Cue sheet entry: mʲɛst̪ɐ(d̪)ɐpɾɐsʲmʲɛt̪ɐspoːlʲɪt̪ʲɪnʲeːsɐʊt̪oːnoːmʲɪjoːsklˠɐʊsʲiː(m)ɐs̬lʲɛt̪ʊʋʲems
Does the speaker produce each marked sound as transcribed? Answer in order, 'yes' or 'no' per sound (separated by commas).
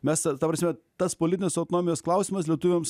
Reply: no, yes